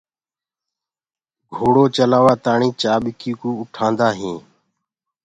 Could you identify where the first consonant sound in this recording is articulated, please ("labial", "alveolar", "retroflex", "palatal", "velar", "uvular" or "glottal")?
velar